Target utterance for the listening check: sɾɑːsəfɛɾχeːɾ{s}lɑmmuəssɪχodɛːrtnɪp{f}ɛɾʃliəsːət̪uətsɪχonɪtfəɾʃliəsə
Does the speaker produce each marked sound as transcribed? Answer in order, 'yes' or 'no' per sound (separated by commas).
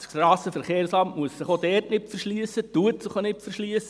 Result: yes, yes